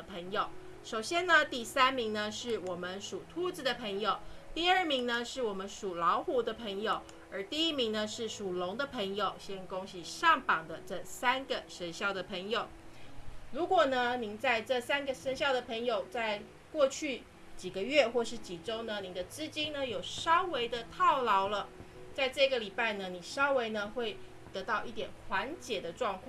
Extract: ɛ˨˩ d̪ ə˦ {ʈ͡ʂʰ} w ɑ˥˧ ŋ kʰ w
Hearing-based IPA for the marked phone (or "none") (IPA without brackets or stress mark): ʈ͡ʂ